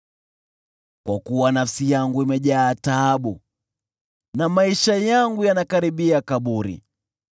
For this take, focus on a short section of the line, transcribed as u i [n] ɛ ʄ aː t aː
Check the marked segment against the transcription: incorrect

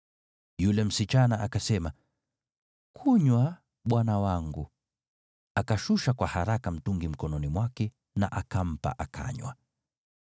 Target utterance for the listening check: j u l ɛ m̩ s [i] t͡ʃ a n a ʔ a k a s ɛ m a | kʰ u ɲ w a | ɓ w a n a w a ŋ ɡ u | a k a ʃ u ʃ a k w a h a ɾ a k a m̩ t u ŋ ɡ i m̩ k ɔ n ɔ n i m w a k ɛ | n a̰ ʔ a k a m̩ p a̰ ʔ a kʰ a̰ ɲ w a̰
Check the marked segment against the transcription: correct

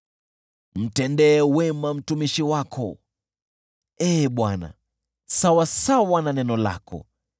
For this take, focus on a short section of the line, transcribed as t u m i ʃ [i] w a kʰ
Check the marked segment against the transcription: correct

